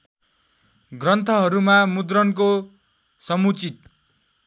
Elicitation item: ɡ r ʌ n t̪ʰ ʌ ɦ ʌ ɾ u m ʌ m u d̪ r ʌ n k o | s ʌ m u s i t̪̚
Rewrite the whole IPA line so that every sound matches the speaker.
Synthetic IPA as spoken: ɡ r ʌ n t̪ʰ ʌ ɦ ʌ ɾ u m a m u d̪ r ʌ n k o | s ʌ m u t͡s i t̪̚